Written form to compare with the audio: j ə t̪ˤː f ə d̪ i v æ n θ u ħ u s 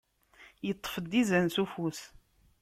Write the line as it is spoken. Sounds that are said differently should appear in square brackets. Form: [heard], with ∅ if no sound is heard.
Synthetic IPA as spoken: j ə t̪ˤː f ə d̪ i [z] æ n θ u [f] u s